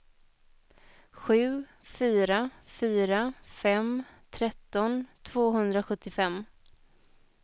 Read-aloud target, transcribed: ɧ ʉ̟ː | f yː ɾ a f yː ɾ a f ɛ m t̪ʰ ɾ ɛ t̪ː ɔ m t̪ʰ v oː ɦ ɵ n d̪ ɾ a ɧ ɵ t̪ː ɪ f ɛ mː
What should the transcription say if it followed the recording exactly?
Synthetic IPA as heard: ɧ ʉ̟ː | f yː ɾ a f yː ɾ a f ɛ m t̪ʰ ɾ ɛ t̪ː ɔ n t̪ʰ v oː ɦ ɵ n d̪ ɾ a ɧ ɵ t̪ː ɪ f ɛ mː

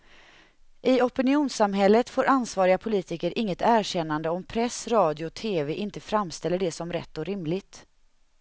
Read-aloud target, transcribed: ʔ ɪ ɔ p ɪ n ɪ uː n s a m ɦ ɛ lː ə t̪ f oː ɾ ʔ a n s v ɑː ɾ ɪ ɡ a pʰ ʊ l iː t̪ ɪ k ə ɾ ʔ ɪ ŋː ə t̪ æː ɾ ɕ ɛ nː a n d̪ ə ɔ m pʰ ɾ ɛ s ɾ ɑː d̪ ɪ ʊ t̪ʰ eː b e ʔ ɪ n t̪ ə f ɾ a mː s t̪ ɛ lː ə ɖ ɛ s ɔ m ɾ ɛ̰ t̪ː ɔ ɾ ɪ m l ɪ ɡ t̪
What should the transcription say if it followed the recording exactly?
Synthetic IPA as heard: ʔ ɪ ɔ p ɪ n ɪ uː n s a m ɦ ɛ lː ə t̪ f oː ɾ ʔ a n s v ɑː ɾ ɪ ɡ a pʰ ʊ l iː t̪ ɪ k ə ɾ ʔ ɪ ŋː ə t̪ æː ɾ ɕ ɛ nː a n d̪ ə ɔ m pʰ ɾ ɛ s ɾ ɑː d̪ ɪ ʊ t̪ʰ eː v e ʔ ɪ n t̪ ə f ɾ a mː s t̪ ɛ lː ə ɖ ɛ s ɔ m ɾ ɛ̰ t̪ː ɔ ɾ ɪ m l ɪ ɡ t̪

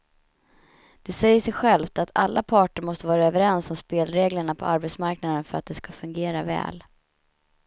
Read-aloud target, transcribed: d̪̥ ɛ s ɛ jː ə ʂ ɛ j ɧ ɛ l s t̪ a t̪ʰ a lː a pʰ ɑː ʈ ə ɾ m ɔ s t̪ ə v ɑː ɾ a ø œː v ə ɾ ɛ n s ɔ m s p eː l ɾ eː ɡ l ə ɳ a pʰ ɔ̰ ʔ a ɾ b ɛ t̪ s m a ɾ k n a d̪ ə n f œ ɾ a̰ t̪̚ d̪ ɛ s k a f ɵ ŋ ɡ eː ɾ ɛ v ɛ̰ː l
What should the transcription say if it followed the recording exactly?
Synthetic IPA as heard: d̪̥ ɛ s ɛ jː ə ʂ ɛ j ɧ ɛ l f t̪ a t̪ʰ a lː a pʰ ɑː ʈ ə ɾ m ɔ s t̪ ə v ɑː ɾ a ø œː v ə ɾ ɛ n s ɔ m s p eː l ɾ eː ɡ l ə ɳ a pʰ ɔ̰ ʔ a ɾ b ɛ t̪ s m a ɾ k n a d̪ ə n f œ ɾ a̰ t̪̚ d̪ ɛ s k a f ɵ ŋ ɡ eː ɾ a v ɛ̰ː l

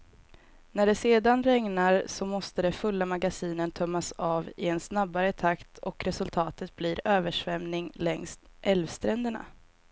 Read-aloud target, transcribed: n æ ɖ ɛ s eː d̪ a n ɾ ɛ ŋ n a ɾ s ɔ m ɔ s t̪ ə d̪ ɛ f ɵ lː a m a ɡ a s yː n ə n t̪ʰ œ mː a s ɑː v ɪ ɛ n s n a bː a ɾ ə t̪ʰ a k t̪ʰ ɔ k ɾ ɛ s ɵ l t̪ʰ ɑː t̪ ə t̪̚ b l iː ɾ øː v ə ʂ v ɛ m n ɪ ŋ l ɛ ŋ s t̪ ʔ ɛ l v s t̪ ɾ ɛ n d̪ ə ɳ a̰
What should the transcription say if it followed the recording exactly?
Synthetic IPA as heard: n æ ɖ ɛ s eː d̪ a n ɾ ɛ ŋ n a ɾ s ɔ m ɔ s t̪ ə d̪ ɛ f ɵ lː a m a ɡ a s iː n ə n t̪ʰ œ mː a s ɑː v ɪ ɛ n s n a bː a ɾ ə t̪ʰ a k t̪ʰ ɔ k ɾ ɛ s ɵ l t̪ʰ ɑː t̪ ə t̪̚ b l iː ɾ øː v ə ʂ v ɛ m n ɪ ŋ l ɛ ŋ s t̪ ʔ ɛ l v s t̪ ɾ ɛ n d̪ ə ɳ a̰

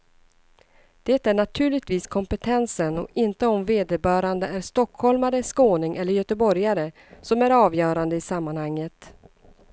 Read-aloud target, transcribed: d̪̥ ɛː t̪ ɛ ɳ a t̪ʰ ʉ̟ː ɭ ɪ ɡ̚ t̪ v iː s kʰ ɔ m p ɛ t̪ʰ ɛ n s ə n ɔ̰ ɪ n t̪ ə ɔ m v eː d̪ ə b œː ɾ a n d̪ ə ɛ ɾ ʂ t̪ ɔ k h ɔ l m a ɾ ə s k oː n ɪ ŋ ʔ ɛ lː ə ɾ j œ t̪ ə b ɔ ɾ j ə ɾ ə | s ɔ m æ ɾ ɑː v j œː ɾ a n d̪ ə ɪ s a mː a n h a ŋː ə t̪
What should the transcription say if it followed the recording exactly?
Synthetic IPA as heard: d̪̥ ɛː t̪ æ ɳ a t̪ʰ ʉ̟ː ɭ ɪ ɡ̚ t̪ v iː s kʰ ɔ m p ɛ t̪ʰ ɛ n s ə n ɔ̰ ɪ n t̪ ə ɔ m v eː d̪ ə b œː ɾ a n d̪ ə æ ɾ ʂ t̪ ɔ k h ɔ l m a ɾ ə s k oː n ɪ ŋ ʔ ɛ lː ə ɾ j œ t̪ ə b ɔ ɾ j a ɾ ə | s ɔ m æ ɾ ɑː v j œː ɾ a n d̪ ə ɪ s a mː a n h a ŋː ə t̪

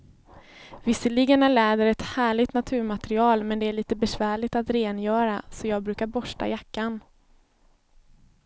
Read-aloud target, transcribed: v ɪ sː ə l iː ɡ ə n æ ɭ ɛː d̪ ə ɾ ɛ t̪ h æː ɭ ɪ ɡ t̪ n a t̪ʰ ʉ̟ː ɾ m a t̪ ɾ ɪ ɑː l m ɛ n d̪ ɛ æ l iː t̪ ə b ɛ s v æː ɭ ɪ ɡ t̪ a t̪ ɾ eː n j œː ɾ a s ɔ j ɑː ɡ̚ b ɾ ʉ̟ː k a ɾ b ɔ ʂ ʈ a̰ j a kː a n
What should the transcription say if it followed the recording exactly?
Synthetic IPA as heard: v ɪ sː ə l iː ɡ ə n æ ɭ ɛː d̪ ə ɾ ɛ t̪ h æː ɭ ɪ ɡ t̪ n a t̪ʰ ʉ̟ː ɾ m a t̪ ɾ ɪ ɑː l m ɛ n d̪ ɛ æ ɭ iː t̪ ə b ɛ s v æː ɭ ɪ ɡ t̪ a t̪ ɾ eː n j œː ɾ a s ɔ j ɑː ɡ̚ b ɾ ʉ̟ː k a ɾ b ɔ ʂ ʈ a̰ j a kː a n

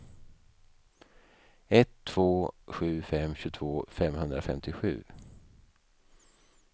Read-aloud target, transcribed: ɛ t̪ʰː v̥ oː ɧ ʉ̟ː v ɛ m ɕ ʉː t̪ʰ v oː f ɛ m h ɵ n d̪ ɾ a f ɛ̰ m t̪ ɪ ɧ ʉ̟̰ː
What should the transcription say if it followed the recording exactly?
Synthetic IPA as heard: ɛ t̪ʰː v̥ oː ɧ ʉ̟ː f ɛ m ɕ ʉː t̪ʰ v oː f ɛ m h ɵ n d̪ ɾ a f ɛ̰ m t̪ ɪ ɧ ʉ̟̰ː

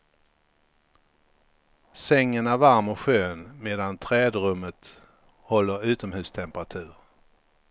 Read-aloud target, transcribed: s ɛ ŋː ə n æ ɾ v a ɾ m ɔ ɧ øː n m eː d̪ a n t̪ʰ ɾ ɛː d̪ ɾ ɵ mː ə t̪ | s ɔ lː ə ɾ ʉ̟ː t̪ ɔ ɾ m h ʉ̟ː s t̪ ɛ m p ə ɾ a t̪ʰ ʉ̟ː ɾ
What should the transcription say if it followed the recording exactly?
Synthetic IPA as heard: s ɛ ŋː ə n æ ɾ v a ɾ m ɔ ɧ øː n m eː d̪ a n t̪ʰ ɾ ɛː d̪ ɾ ɵ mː ə t̪ | h ɔ lː ə ɾ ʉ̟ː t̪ ɔ m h ʉ̟ː s t̪ʰ ɛ m p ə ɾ a t̪ʰ ʉ̟ː ɾ

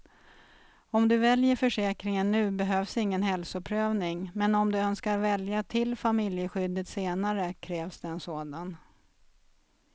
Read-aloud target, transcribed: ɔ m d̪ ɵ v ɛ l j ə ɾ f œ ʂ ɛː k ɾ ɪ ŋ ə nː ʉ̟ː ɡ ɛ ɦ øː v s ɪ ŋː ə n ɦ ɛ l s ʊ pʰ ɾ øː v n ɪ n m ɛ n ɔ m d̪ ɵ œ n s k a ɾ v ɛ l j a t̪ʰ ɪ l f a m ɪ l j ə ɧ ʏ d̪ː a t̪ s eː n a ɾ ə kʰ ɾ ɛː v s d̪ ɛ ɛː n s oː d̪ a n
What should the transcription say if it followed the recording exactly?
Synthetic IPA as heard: ɔ m d̪ ɵ v ɛ l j ə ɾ f œ ʂ ɛː k ɾ ɪ ŋ ə nː ʉ̟ː b ɛ ɦ øː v s ɪ ŋː ə n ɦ ɛ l s ʊ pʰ ɾ øː v n ɪ ŋ m ɛ n ɔ m d̪ ɵ œ n s k a ɾ v ɛ l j a t̪ʰ ɪ l f a m ɪ l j ə ɧ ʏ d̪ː ə t̪ s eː n a ɾ ə kʰ ɾ ɛː v s d̪ ɛ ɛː n s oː d̪ a n

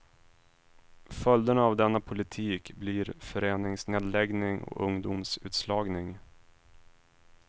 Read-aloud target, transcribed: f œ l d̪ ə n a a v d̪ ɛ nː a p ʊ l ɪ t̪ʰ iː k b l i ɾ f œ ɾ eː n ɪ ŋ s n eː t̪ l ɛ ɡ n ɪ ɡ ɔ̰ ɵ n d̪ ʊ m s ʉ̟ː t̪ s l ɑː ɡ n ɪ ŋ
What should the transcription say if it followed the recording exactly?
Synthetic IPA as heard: f œ l d̪ ə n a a v d̪ ɛ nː a pʰ ʊ l ɪ t̪ʰ iː k b l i ɾ f œ ɾ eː n ɪ ŋ s n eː d̪ l ɛ ɡ n ɪ ŋ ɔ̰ ɵ ŋ d̪ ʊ m s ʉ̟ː t̪ s l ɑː ɡ n ɪ ŋ

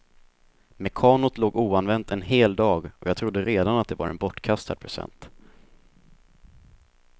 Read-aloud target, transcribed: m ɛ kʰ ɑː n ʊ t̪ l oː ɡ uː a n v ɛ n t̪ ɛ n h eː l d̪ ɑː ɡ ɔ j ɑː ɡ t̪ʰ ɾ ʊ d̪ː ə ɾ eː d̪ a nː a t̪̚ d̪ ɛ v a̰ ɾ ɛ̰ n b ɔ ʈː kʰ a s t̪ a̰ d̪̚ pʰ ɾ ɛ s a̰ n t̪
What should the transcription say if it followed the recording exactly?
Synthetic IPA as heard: m ɛ kʰ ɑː n ʊ t̪ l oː ɡ uː a n v ɛ n t̪ ɛ n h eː l d̪ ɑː ɡ ɔ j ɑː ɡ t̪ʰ ɾ ʊ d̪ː ə ɾ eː d̪ a n a t̪̚ d̪ ɛ v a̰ ɾ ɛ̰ n b ɔ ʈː kʰ a s t̪ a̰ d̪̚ pʰ ɾ ɛ s ɛ̰ n t̪

